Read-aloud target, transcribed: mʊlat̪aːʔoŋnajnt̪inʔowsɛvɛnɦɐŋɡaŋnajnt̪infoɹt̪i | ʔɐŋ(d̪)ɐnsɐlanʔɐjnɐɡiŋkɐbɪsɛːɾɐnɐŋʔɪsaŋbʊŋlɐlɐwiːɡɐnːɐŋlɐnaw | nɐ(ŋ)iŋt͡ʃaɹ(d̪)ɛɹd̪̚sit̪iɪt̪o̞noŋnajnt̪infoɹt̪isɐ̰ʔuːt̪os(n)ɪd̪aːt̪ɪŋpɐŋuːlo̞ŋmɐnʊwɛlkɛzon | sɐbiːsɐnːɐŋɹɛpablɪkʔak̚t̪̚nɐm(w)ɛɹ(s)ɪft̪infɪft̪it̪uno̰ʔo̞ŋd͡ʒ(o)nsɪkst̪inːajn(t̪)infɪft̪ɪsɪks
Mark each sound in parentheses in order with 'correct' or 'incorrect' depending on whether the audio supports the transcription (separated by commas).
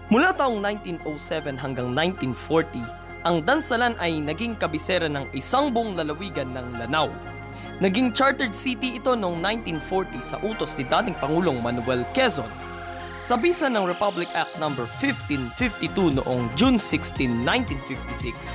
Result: correct, incorrect, incorrect, correct, incorrect, incorrect, incorrect, correct